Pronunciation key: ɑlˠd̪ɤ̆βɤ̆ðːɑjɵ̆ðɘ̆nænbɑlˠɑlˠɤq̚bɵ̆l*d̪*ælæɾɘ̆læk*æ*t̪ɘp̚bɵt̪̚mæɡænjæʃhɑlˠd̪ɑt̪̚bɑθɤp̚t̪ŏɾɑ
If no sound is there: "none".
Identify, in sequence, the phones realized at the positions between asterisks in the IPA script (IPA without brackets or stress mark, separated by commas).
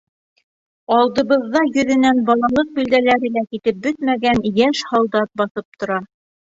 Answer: d̪, i